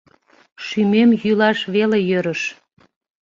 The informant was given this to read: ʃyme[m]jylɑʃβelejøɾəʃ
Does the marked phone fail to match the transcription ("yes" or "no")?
no